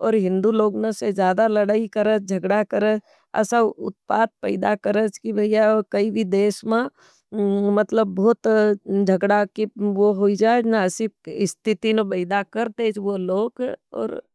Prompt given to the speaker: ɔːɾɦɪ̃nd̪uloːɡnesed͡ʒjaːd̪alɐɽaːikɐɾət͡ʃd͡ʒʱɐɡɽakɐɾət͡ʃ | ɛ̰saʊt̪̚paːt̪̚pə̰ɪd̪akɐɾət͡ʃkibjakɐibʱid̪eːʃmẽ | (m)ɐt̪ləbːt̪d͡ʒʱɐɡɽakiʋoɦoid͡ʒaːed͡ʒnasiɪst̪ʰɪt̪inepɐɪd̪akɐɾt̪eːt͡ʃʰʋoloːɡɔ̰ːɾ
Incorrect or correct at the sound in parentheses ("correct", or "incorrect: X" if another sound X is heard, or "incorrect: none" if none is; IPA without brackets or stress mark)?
correct